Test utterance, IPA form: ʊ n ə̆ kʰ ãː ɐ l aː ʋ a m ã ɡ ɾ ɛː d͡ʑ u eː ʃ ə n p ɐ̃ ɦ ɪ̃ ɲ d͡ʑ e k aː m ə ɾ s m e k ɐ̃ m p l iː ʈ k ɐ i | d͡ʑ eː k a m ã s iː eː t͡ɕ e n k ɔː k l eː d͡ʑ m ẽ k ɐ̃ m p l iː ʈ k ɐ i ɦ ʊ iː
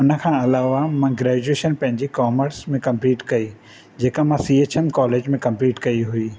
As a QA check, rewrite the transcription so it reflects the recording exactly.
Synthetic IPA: ʊ n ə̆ kʰ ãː ɐ l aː ʋ a m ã ɡ ɾ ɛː d͡ʑ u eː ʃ ə n p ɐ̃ ɦ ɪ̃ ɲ d͡ʑ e k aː m ə ɾ s m ẽ k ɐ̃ m p l iː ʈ k ɐ i | d͡ʑ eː k a m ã s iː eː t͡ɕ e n k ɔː l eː d͡ʑ m ẽ k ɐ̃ m p l iː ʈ k ɐ i ɦ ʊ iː